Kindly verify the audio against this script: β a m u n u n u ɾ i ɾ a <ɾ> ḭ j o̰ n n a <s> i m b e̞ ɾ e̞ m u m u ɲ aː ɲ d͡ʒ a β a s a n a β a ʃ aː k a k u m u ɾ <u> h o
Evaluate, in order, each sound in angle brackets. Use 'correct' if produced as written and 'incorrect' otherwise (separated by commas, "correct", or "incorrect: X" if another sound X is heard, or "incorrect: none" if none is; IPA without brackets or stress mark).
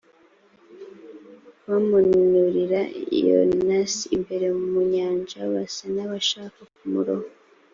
incorrect: none, correct, incorrect: o